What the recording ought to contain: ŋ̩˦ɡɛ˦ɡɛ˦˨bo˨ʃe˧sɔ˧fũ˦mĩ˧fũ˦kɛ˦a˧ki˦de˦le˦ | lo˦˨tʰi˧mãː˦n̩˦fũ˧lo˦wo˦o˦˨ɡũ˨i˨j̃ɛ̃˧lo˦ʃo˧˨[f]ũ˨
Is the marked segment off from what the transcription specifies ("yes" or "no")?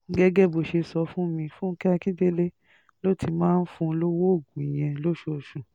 yes